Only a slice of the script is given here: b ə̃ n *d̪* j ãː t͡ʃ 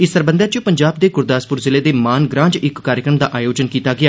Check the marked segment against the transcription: correct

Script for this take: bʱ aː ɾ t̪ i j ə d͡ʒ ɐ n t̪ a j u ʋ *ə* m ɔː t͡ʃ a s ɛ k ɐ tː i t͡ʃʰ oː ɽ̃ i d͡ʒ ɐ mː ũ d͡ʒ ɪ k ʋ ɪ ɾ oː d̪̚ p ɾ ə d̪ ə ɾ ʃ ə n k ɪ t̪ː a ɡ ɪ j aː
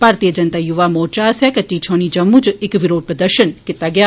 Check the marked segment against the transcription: incorrect: a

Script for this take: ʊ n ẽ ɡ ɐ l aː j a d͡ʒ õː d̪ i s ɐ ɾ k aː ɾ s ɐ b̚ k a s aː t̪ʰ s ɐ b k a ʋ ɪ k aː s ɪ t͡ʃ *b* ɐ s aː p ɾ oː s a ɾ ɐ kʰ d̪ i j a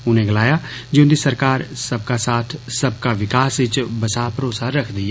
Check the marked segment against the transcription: correct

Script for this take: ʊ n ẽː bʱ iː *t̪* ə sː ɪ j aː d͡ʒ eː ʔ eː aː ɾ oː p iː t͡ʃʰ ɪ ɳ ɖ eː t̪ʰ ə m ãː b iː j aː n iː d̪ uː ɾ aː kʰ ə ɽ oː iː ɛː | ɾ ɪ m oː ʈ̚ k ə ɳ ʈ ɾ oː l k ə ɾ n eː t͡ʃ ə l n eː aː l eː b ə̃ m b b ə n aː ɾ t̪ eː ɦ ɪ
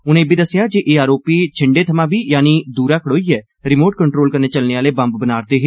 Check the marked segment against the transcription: incorrect: d̪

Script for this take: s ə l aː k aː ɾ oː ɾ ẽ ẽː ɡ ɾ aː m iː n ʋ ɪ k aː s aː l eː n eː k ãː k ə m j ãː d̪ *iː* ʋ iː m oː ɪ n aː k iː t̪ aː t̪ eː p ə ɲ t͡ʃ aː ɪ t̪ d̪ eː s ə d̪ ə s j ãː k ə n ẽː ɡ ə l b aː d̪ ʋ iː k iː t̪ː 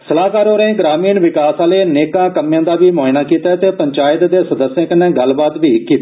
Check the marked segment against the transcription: incorrect: aː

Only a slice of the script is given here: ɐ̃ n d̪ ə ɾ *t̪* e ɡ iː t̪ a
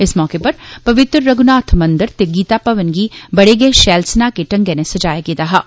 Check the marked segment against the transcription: correct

